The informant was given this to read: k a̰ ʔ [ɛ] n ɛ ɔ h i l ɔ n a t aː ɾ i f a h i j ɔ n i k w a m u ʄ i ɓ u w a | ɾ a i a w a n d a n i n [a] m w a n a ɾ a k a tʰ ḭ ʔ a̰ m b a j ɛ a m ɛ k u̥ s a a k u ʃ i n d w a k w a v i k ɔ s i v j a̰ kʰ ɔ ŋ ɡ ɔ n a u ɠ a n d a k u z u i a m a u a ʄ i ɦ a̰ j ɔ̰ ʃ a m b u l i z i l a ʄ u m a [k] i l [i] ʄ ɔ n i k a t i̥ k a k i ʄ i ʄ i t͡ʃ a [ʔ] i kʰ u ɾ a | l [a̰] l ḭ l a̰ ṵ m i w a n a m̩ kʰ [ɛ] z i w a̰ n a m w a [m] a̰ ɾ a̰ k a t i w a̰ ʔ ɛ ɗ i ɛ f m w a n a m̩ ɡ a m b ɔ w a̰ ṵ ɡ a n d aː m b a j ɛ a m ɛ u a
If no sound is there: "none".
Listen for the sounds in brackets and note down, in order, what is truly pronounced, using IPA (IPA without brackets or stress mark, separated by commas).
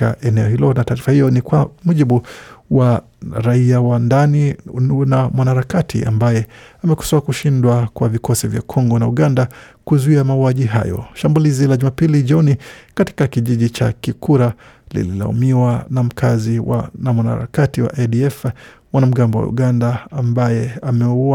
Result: ɛ, a, p, i, k, ḭ, a, n